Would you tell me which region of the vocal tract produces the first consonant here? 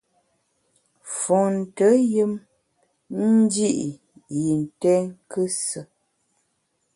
lips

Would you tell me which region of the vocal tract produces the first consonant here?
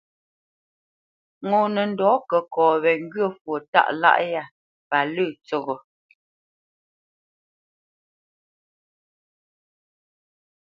velum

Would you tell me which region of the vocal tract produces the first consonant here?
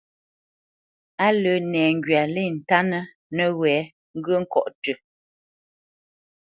tongue tip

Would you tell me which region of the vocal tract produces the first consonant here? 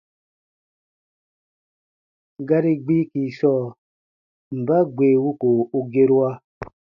velum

